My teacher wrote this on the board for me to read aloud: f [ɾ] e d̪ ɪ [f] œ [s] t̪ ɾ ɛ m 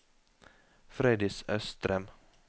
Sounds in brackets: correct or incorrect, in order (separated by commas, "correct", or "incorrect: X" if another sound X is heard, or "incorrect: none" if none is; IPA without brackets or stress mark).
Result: correct, incorrect: s, correct